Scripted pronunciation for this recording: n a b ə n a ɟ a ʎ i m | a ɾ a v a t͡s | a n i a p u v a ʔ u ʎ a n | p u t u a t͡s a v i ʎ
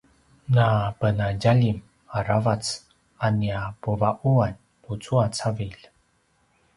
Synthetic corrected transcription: n a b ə n a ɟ a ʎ i m | a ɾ a v a t͡s | a n i a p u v a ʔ u a n | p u t͡s u a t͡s a v i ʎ